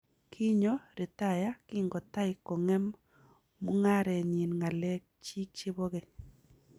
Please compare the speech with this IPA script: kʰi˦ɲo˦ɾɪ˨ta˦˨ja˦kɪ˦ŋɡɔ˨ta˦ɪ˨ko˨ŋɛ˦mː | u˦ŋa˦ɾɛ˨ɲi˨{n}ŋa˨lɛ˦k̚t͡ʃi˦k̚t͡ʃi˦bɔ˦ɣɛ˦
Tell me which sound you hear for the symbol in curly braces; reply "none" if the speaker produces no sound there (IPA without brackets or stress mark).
n